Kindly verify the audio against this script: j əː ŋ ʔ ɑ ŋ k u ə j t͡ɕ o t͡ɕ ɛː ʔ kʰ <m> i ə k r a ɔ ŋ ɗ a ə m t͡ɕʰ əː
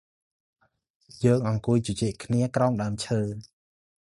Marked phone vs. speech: incorrect: n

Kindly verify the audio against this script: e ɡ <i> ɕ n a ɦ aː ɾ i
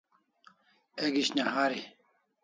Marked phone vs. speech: correct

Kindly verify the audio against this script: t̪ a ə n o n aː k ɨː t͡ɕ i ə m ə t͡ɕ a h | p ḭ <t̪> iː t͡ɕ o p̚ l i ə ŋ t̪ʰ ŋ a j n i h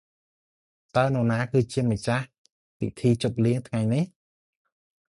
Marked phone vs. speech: incorrect: t̪ʰ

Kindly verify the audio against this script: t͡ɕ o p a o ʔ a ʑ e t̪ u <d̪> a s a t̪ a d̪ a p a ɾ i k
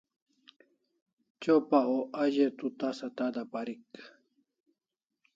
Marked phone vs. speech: incorrect: t̪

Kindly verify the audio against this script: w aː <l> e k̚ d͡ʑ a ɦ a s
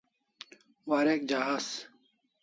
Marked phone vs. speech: incorrect: ɾ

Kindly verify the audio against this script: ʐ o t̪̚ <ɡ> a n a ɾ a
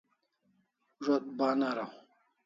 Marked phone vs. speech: incorrect: b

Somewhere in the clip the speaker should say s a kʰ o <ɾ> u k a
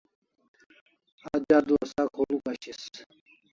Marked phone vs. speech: incorrect: l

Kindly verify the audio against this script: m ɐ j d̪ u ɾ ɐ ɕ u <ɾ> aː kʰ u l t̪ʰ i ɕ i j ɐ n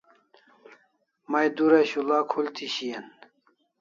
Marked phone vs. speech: incorrect: l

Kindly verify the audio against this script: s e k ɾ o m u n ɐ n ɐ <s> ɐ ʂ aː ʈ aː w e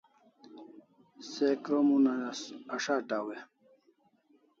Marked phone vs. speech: correct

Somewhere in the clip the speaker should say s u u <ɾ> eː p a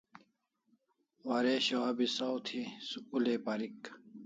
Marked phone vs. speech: incorrect: l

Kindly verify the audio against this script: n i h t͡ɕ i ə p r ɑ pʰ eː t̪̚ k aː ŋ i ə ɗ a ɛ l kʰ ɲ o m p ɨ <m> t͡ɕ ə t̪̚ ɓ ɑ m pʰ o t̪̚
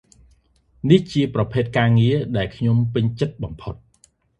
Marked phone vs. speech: incorrect: ɲ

